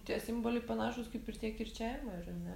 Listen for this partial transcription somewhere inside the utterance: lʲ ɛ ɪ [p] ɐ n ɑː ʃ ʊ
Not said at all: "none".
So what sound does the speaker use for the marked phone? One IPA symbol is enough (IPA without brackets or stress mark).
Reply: p